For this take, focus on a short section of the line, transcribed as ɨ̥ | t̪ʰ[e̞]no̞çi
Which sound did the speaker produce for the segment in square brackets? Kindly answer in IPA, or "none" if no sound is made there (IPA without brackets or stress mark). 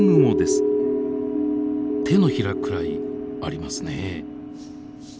e̞